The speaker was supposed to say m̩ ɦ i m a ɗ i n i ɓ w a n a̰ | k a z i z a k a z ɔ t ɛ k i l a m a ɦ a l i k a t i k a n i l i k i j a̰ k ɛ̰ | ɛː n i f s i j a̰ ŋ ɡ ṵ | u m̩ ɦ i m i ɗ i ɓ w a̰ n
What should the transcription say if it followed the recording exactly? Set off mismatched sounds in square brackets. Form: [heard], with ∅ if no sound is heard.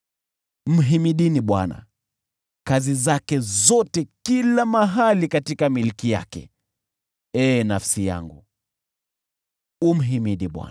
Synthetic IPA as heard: m̩ ɦ i m [i] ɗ i n i ɓ w a n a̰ | k a z i z a k [ɛ] z ɔ t ɛ k i l a m a ɦ a l i k a t i k a [m] i l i k i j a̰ k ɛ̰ | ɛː n [a] f s i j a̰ ŋ ɡ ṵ | u m̩ ɦ i m i ɗ i ɓ w a̰ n